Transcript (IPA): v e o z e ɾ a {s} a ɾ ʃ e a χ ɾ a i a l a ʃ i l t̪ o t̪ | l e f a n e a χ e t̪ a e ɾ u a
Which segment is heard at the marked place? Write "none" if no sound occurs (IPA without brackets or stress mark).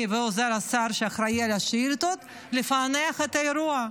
s